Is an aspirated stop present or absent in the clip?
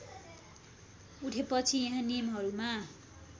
present